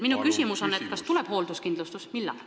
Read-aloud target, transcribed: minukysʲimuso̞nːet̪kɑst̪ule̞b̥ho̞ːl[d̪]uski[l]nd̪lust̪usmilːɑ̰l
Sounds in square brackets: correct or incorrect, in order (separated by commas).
correct, incorrect